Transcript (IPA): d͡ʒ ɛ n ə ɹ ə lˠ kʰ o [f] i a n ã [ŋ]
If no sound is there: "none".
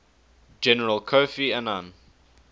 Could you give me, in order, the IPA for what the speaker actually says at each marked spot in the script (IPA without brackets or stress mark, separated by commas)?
f, n